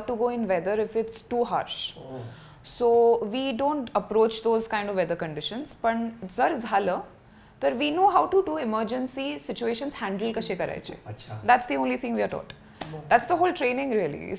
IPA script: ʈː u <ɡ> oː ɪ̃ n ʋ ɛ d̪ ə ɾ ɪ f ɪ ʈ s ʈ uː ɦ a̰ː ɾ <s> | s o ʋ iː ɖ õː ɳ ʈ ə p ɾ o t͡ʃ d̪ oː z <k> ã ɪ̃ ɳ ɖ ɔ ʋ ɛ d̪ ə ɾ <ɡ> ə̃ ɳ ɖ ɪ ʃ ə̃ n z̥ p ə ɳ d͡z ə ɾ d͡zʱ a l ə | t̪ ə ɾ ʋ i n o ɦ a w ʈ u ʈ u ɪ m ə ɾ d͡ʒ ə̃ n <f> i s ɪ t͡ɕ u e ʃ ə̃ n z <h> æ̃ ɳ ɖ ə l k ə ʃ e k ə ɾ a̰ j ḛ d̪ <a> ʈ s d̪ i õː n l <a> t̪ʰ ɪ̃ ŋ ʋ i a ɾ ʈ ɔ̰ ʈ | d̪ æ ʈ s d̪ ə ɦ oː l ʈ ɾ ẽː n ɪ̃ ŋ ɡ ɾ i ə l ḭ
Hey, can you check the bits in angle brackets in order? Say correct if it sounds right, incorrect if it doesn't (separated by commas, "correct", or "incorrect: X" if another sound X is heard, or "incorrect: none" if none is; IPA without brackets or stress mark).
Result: correct, incorrect: ʃ, correct, incorrect: k, incorrect: s, correct, incorrect: æ, incorrect: i